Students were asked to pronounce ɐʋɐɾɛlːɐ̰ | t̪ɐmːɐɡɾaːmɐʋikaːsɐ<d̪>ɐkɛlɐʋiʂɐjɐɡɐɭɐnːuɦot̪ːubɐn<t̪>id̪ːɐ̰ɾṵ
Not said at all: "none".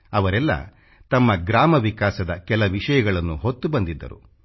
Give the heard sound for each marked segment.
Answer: d̪, d̪

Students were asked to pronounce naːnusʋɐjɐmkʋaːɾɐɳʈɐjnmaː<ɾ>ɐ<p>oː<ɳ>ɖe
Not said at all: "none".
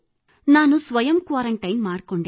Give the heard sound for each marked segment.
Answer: ɽ, k, ɳ

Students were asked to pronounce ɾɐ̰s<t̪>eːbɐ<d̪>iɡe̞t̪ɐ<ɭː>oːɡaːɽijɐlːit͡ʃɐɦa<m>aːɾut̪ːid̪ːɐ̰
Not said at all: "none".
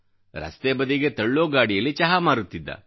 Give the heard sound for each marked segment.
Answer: t̪, d̪, ɭː, m

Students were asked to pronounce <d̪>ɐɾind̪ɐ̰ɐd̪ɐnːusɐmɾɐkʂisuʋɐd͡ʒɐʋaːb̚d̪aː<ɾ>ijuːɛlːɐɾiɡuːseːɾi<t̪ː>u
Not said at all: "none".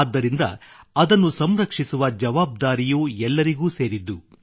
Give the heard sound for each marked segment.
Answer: d̪ː, ɾ, d̪ː

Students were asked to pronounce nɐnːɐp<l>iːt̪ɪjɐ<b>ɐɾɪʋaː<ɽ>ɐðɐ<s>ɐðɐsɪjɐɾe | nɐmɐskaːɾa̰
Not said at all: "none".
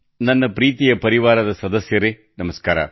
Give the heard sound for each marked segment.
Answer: ɾ, p, ɾ, s

